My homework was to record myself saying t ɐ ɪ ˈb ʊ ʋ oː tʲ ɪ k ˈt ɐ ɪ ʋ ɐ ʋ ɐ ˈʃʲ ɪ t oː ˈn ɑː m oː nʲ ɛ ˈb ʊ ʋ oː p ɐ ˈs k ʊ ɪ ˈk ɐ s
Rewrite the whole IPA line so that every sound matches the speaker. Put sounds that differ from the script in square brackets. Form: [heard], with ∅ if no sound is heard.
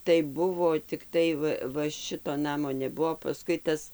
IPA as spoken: t ɐ ɪ ˈb ʊ ʋ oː tʲ ɪ k ˈt ɐ ɪ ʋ ɐ ʋ ɐ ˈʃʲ ɪ t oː ˈn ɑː m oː nʲ ɛ ˈb ʊ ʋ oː p ɐ ˈs k ʊ ɪ [ˈt] ɐ s